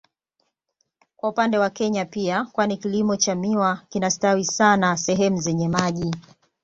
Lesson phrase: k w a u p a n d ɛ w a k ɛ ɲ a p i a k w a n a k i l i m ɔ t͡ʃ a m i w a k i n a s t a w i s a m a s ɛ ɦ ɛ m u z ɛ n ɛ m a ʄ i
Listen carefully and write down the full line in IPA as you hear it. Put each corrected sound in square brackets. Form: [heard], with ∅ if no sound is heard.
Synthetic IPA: k w a u p a n d ɛ w a k ɛ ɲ a p i a k w a n [i] k i l i m ɔ t͡ʃ a m i w a k i n a s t a w i s a [n] a s ɛ ɦ ɛ m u z ɛ [ɲ] ɛ m a ʄ i